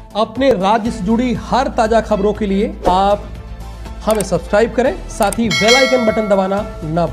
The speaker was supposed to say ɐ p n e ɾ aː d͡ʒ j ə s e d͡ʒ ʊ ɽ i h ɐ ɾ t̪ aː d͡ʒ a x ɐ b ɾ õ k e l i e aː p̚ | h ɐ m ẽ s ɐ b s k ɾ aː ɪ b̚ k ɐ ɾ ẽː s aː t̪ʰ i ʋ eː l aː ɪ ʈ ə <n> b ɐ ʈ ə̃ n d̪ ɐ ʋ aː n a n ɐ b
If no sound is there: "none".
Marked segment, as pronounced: n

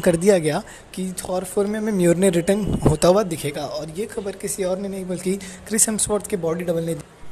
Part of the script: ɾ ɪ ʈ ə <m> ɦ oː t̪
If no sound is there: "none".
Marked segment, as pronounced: n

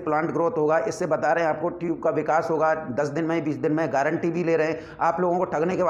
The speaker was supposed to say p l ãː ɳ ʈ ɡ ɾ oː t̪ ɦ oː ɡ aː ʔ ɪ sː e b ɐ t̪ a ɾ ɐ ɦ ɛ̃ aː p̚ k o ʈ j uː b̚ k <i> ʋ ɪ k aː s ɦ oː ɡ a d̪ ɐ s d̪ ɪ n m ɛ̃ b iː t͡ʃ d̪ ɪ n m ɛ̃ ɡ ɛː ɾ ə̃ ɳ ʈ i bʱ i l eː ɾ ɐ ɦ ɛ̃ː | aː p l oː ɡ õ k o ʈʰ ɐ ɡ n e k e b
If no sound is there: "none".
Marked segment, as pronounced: a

